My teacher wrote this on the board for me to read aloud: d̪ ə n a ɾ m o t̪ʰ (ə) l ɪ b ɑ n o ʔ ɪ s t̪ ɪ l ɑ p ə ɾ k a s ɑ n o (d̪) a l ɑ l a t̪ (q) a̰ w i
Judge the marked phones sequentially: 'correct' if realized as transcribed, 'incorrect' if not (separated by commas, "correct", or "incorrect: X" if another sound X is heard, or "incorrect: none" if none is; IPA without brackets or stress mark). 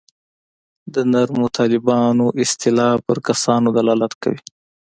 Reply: incorrect: ɑ, correct, incorrect: k